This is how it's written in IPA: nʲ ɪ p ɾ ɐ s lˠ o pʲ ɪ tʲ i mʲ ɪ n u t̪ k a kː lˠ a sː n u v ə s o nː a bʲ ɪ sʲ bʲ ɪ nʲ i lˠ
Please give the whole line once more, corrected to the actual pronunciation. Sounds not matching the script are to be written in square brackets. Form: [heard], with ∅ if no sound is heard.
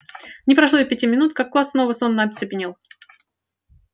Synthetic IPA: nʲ ɪ p ɾ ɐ [ʂ] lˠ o pʲ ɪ tʲ i mʲ ɪ n u t̪ k a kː lˠ a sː n [o] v ə s o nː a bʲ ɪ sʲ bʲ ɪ nʲ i lˠ